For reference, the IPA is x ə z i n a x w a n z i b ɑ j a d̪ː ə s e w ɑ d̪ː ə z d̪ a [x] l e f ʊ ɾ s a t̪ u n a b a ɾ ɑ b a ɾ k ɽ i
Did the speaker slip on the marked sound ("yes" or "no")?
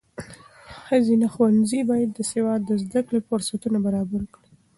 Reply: yes